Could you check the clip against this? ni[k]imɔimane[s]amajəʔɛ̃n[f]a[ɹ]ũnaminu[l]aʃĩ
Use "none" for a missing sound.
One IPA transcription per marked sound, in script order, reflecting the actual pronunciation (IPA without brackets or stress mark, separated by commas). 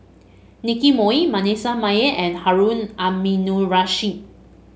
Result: k, s, h, ɹ, ɹ